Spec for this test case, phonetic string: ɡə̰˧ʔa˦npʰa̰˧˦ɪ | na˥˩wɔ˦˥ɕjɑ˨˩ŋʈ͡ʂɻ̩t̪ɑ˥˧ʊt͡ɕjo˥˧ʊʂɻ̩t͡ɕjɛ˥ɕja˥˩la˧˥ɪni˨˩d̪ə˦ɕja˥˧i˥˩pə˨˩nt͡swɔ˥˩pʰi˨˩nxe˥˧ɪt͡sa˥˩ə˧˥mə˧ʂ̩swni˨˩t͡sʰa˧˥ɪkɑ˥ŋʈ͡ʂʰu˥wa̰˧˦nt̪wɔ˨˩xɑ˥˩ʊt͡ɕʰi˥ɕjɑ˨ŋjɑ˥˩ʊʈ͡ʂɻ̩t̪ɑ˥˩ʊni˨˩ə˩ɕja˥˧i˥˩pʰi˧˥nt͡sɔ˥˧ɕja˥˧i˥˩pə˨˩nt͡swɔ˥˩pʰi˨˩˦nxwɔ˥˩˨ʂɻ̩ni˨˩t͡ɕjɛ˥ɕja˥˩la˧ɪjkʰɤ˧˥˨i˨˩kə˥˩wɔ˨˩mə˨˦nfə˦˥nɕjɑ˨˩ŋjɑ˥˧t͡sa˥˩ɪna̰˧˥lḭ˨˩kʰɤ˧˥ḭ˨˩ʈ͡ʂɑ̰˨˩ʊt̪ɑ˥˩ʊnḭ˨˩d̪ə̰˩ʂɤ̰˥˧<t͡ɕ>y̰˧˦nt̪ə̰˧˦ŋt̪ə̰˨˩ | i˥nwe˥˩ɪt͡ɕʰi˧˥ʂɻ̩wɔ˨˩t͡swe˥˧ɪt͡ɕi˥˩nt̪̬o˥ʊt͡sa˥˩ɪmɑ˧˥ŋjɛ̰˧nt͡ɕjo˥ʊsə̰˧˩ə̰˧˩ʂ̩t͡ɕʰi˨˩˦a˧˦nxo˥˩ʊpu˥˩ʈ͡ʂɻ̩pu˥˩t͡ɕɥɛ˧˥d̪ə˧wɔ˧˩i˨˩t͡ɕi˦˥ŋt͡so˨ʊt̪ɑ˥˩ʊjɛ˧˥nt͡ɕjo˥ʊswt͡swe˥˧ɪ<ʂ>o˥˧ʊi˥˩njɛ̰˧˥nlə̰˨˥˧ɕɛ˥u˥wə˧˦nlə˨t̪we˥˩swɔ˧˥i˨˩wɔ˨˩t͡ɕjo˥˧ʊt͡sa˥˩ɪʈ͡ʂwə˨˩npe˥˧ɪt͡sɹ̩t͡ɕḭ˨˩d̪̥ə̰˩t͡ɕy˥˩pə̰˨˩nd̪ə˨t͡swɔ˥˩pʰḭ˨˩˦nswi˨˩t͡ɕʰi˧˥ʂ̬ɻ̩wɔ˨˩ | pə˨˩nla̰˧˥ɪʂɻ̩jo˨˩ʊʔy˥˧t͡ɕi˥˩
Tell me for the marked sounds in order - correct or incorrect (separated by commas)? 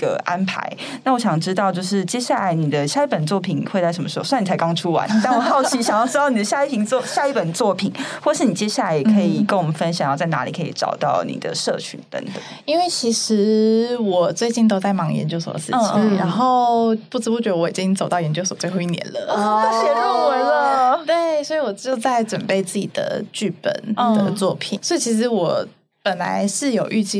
incorrect, incorrect